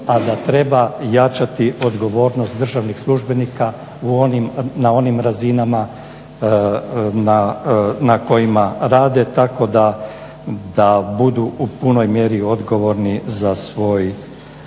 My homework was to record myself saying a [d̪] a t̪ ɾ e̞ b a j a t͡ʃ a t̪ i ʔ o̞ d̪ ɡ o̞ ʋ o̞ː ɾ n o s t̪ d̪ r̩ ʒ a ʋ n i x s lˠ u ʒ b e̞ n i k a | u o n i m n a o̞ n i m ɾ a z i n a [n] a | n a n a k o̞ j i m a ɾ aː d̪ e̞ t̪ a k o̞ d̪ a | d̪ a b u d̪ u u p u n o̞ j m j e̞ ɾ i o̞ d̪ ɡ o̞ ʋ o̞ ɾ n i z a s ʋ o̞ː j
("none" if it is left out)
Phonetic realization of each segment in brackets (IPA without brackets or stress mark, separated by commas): d̪, m